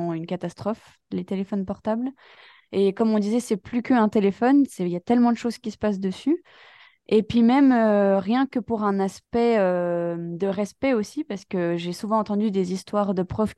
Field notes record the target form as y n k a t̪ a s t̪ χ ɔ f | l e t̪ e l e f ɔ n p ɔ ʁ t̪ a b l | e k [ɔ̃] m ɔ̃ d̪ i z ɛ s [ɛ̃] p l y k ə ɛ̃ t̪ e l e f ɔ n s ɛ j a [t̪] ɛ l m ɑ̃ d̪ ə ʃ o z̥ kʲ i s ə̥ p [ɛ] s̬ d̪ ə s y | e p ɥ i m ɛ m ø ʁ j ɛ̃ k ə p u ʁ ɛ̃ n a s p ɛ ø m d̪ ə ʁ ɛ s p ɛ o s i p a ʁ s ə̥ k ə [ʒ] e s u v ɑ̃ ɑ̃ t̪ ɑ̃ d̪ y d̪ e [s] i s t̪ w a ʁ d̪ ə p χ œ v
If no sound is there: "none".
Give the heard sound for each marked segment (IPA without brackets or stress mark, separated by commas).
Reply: ɔ, ɛ, t̪, a, ʒ, z